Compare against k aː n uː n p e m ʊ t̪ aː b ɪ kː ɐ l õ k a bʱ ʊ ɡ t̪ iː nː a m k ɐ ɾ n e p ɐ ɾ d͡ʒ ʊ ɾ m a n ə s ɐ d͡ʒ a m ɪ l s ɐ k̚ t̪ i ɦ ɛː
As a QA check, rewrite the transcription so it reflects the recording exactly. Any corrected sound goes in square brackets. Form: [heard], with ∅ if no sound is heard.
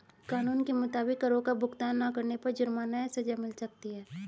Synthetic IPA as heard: k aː n uː n [k] e m ʊ t̪ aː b ɪ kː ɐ [ɾ] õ k a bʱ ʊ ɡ t̪ [aː] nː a [∅] k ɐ ɾ n e p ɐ ɾ d͡ʒ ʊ ɾ m a n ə s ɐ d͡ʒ a m ɪ l s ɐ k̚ t̪ i ɦ ɛː